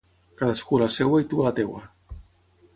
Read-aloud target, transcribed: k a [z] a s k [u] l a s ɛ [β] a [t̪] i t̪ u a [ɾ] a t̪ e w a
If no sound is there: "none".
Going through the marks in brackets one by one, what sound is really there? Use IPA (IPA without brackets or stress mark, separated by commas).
ð, u, w, none, l